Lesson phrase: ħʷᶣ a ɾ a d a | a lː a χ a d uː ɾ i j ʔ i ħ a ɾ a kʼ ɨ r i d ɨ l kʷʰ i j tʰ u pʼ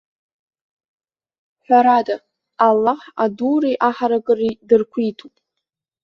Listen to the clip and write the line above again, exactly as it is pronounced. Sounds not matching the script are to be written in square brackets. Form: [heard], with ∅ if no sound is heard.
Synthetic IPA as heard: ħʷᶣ a ɾ a d a | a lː a [ħ] a d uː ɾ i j ʔ [a] ħ a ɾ a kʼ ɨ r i d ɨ [r] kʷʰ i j tʰ u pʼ